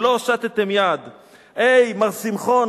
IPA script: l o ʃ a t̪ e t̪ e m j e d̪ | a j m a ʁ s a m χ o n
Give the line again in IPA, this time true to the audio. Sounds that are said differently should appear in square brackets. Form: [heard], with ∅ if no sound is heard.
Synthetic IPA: l o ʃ a t̪ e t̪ e m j [a] d̪ | [e] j m a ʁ s [i] m χ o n

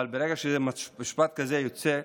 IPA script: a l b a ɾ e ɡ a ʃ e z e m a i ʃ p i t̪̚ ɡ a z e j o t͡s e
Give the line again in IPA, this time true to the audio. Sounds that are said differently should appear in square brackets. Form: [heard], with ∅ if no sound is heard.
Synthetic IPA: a l b [e] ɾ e ɡ a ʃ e z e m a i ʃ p [a] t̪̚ [k] a z e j o t͡s e

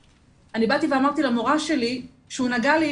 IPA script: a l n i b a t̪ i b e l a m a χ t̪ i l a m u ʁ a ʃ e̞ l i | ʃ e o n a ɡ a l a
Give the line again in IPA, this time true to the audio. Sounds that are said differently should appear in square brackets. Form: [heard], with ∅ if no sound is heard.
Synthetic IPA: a [∅] n i b a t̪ i [v] e [∅] a m a [ʁ] t̪ i l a m [o] ʁ a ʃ e̞ l i | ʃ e [u] n a ɡ a l [i]

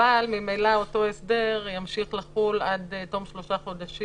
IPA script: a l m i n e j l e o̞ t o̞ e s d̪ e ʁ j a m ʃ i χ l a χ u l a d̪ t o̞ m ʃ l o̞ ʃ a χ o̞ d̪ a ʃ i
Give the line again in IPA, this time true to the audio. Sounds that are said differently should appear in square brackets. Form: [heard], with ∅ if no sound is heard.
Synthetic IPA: a l m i [m] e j l [a] o̞ t o̞ e s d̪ e ʁ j a m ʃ i χ l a χ u l a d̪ t o̞ m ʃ l o̞ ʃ a χ o̞ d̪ a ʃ i

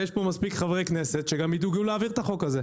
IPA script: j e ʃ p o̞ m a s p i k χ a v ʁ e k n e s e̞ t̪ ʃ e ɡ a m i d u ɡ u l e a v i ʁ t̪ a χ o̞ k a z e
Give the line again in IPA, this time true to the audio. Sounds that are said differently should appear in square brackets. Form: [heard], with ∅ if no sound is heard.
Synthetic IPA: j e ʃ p o̞ m a s p i k χ a v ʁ e k n e s e̞ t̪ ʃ e ɡ a m i d u ɡ u l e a v i ʁ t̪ a χ o̞ k a z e

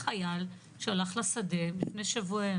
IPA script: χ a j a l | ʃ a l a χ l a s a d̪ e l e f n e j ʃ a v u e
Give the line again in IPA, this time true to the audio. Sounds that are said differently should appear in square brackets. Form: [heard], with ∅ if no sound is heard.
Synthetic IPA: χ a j a l | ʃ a l a χ l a s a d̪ e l [i] f n e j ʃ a v u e

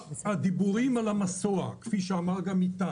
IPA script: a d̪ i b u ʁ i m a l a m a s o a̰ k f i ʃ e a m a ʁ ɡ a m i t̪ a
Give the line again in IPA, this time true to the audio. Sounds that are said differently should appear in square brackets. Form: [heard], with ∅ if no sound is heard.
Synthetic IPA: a d̪ i b u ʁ i m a l a m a s o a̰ k f i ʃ e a m a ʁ ɡ a m i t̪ a

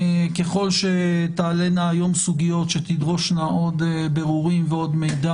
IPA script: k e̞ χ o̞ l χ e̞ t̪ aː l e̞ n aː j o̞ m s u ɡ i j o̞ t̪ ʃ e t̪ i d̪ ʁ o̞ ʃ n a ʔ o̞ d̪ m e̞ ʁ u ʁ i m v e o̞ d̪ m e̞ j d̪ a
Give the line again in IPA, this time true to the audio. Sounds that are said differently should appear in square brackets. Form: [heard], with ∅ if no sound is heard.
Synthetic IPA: k e̞ χ o̞ l [ʃ] e̞ t̪ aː l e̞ n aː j o̞ m s u ɡ i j o̞ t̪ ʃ e t̪ i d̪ ʁ o̞ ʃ n a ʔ o̞ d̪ [b] e̞ ʁ u ʁ i m v e o̞ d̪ m e̞ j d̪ a

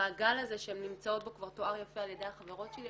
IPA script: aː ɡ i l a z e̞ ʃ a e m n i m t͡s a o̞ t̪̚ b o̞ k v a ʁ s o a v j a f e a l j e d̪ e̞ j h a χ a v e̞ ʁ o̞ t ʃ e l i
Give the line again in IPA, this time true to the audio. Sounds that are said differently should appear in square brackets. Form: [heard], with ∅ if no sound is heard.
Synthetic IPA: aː ɡ [a] l a z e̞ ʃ [e] e m n i m t͡s a o̞ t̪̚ b o̞ k v a ʁ [t] o a [ʁ] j a f e a l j e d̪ e̞ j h a χ a v e̞ ʁ o̞ t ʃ e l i

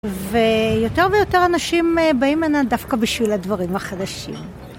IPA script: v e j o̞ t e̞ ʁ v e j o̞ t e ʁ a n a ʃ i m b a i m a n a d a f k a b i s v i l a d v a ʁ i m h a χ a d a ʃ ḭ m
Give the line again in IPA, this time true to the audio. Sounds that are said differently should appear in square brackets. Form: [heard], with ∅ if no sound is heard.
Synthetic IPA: v e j o̞ t e̞ ʁ v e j o̞ t e ʁ a n a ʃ i m b a i m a n a d a f k a b i [ʃ] v i l a d v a ʁ i m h a χ a d a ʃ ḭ m

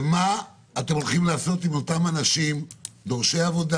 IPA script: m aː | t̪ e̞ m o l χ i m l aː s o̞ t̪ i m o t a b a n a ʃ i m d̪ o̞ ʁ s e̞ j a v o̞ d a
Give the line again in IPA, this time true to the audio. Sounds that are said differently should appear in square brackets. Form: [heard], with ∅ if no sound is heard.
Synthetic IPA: m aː | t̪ e̞ m o l χ i m l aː s o̞ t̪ i m o t a [m] a n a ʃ i m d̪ o̞ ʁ [ʃ] e̞ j a v o̞ d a

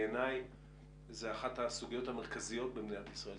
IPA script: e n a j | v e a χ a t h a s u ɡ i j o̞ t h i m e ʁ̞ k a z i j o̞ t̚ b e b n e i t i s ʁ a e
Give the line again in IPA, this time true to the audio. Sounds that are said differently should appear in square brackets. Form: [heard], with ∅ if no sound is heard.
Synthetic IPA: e n a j | [z] e a χ a t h a s u ɡ i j o̞ t h [a] m e ʁ̞ k a z i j o̞ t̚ b e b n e [a] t i s ʁ a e

